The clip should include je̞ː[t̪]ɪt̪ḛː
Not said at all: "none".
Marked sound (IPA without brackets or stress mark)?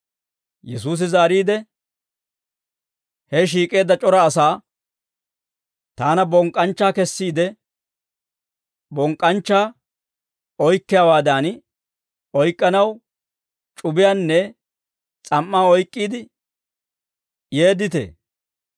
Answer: d̪